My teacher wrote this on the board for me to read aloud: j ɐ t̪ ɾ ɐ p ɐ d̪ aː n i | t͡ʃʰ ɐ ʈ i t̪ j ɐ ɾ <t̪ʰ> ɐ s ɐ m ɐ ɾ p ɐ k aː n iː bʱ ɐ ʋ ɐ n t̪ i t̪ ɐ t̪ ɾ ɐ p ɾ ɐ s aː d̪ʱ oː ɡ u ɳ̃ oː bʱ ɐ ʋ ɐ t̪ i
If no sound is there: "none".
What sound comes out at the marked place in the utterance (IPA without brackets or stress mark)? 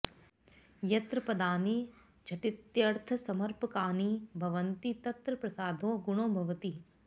t̪ʰ